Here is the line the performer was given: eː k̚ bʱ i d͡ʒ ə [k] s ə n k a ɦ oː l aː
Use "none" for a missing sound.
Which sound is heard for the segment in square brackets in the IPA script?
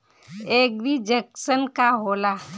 k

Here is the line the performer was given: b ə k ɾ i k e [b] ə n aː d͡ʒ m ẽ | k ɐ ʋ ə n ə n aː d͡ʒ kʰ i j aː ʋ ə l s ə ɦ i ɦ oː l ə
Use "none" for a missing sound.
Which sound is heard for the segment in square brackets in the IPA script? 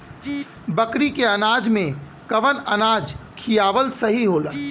none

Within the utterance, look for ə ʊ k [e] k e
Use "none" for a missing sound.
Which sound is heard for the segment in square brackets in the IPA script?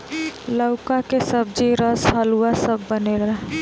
a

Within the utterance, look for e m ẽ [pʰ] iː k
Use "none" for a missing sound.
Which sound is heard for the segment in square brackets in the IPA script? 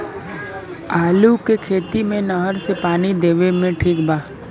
ʈʰ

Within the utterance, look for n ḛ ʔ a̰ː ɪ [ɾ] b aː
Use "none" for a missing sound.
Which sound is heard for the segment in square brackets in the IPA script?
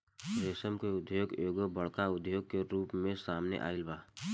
l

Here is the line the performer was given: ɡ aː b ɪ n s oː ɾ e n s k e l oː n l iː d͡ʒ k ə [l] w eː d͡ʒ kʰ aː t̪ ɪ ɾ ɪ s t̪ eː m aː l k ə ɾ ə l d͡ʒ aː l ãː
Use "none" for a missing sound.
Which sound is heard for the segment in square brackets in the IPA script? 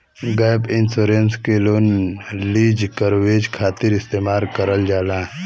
ɾ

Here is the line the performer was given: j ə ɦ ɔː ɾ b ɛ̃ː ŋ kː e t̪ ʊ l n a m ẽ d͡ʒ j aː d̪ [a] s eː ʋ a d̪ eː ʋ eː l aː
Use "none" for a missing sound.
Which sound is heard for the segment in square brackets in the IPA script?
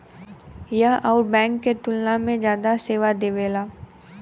a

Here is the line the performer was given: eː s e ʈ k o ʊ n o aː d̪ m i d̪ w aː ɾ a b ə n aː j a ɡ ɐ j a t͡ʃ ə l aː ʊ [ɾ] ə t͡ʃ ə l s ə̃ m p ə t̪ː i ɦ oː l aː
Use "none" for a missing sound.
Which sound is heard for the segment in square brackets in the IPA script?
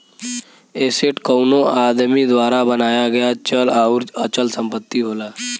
ɾ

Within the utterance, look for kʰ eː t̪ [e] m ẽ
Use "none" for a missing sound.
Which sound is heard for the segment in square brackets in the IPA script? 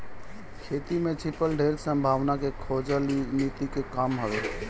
i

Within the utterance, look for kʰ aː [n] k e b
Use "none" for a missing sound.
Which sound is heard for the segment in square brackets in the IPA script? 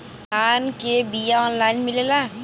n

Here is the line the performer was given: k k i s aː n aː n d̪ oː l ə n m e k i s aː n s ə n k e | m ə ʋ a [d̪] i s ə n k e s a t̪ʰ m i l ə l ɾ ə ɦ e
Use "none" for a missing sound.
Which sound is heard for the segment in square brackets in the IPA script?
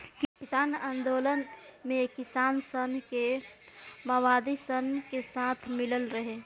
d̪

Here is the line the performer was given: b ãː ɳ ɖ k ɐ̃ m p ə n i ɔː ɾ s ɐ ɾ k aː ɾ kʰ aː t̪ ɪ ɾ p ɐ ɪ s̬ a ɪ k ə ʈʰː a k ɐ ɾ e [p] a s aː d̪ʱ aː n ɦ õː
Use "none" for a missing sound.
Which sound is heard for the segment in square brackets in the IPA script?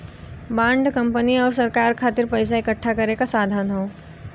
k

